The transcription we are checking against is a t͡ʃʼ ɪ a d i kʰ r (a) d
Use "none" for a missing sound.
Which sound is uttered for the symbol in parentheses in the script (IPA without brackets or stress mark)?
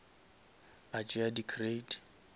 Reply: e